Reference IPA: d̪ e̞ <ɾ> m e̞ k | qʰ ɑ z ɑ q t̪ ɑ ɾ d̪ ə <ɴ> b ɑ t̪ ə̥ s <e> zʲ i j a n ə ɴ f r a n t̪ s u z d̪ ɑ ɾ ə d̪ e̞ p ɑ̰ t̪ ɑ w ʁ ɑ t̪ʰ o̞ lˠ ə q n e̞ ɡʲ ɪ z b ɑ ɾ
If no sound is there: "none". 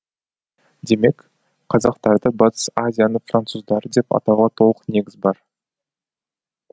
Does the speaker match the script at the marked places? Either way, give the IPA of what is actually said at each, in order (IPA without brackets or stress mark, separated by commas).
none, none, a